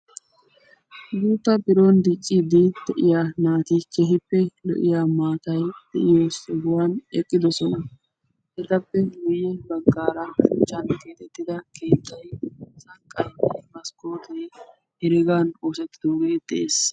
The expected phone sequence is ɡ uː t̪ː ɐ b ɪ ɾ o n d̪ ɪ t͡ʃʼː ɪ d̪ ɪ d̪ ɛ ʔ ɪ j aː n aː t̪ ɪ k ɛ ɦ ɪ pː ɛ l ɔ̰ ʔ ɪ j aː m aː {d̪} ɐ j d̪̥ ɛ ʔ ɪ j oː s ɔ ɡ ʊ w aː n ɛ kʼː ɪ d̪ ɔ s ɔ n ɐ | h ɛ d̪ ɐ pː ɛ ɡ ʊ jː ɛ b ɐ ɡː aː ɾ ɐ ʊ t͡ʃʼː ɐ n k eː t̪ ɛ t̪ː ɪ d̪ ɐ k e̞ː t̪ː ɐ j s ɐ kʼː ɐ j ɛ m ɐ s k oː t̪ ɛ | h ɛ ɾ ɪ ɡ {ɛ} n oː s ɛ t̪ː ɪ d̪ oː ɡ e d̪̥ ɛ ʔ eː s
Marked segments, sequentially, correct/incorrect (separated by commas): incorrect, incorrect